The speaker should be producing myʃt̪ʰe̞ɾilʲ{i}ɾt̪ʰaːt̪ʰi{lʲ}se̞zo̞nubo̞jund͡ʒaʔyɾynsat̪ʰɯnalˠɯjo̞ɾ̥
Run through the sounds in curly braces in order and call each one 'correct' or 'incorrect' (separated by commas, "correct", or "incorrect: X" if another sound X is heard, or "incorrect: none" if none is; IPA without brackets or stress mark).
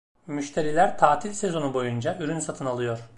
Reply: incorrect: æ, correct